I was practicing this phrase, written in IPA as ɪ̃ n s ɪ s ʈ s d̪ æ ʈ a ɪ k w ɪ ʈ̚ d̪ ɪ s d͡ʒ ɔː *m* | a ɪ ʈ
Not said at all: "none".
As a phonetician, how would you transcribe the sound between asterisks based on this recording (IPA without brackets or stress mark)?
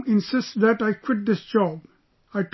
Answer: b